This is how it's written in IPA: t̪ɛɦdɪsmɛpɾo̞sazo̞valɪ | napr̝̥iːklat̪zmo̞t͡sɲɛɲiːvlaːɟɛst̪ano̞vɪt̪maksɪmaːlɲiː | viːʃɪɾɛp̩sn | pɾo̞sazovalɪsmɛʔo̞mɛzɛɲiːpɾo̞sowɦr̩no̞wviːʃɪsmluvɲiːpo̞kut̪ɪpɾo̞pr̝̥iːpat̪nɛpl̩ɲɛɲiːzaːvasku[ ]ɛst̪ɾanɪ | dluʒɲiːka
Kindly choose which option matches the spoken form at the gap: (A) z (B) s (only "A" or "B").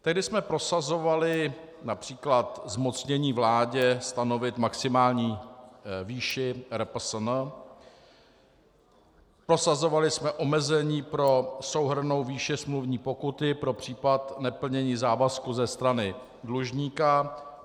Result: A